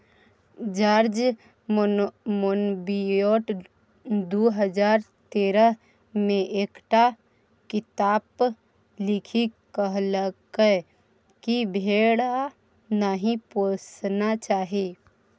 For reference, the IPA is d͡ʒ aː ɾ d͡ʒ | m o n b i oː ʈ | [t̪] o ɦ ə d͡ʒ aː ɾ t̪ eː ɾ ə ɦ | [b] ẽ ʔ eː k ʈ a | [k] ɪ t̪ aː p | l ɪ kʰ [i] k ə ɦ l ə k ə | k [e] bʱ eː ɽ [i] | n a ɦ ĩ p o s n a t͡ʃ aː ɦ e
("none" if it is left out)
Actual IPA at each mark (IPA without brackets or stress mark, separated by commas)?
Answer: d̪, m, k, i, i, a